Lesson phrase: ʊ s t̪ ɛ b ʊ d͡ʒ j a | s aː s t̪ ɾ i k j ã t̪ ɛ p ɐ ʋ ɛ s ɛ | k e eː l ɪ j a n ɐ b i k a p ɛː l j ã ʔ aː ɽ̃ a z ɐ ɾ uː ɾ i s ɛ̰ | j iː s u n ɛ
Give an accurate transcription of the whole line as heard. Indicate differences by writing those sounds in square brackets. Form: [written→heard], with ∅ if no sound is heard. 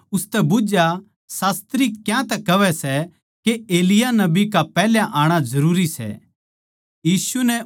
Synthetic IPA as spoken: ʊ s t̪ ɛ b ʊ d͡ʒ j a | s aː s t̪ ɾ i k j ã t̪ ɛ [p→k] ɐ ʋ ɛ s ɛ | k e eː l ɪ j a n ɐ b i k a p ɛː l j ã ʔ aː ɽ̃ a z ɐ ɾ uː ɾ i s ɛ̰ | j iː s u n ɛ